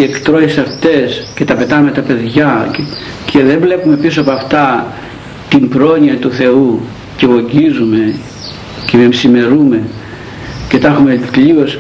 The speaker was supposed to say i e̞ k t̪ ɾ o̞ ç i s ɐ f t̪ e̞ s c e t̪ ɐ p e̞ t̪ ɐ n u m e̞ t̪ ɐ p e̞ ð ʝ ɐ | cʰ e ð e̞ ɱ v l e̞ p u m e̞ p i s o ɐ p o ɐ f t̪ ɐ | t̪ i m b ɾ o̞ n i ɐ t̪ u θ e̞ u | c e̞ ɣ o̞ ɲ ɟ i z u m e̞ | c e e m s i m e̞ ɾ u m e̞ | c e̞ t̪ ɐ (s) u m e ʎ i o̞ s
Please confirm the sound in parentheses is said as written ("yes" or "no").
no